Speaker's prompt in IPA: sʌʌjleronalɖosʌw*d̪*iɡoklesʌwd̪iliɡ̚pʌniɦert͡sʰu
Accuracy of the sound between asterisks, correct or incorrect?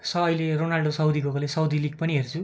correct